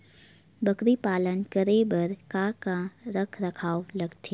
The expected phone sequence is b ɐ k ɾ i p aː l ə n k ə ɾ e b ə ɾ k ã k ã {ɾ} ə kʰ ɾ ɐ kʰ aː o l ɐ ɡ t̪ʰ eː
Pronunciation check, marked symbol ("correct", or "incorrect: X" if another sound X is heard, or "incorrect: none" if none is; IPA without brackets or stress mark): correct